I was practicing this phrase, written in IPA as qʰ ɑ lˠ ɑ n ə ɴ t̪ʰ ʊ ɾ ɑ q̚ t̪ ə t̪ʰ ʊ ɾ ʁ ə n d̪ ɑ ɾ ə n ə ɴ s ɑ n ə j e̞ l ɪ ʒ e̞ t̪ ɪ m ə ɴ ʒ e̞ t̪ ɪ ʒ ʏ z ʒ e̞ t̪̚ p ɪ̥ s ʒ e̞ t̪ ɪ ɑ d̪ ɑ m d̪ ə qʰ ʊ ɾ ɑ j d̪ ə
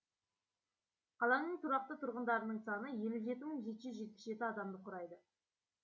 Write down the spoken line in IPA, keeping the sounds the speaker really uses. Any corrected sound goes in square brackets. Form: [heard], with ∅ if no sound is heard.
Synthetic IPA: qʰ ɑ lˠ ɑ n ə ɴ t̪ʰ ʊ ɾ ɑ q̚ t̪ ə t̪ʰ ʊ ɾ ʁ ə n d̪ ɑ ɾ ə n ə ɴ s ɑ n ə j e̞ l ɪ ʒ e̞ t̪ ɪ m ə ɴ ʒ e̞ t̪ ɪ ʒ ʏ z ʒ e̞ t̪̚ p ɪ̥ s ʒ e̞ t̪ ɪ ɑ d̪ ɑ m d̪ ə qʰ ʊ ɾ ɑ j d̪ ə